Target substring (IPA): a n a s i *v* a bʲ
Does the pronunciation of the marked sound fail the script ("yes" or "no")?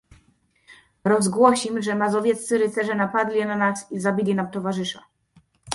yes